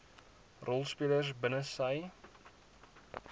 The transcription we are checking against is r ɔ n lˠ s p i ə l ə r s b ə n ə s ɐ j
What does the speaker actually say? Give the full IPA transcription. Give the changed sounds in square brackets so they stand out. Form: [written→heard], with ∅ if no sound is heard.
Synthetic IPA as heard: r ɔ [n→∅] lˠ s p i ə l ə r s b ə n ə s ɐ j